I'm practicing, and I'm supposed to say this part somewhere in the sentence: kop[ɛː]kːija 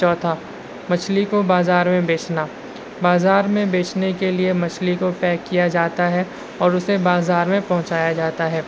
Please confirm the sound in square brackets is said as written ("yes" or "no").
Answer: yes